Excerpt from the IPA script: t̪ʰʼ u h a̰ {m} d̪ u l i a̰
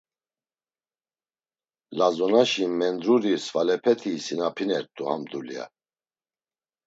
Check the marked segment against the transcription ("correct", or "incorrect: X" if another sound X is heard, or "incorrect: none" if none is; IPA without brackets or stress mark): correct